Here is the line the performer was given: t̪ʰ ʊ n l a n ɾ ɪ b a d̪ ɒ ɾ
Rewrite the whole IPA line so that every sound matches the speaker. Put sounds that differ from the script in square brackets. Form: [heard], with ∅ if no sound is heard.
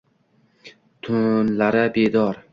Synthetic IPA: t̪ʰ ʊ n l a [∅] ɾ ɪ b [e] d̪ ɒ ɾ